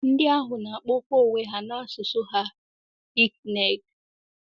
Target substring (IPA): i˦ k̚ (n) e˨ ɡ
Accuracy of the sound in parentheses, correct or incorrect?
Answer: correct